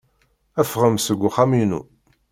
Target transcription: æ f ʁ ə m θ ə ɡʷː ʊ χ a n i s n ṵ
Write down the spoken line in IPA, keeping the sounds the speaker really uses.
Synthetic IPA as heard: æ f ʁ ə m s ə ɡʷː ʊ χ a m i n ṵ